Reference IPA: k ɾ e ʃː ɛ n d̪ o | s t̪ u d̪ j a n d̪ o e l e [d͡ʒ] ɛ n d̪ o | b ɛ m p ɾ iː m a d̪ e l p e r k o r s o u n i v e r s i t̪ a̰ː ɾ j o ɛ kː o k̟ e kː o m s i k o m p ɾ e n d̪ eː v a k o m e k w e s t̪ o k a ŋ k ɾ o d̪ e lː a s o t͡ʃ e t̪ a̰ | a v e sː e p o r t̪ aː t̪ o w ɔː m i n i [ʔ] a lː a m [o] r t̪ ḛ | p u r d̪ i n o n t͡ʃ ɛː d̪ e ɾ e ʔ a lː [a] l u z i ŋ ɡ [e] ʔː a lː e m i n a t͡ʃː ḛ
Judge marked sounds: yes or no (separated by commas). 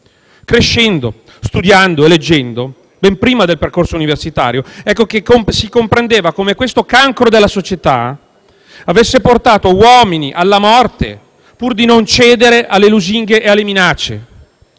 no, yes, no, no, yes